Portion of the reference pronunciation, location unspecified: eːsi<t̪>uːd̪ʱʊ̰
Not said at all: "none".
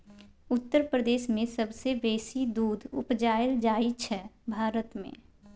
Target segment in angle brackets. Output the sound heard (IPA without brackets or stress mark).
d̪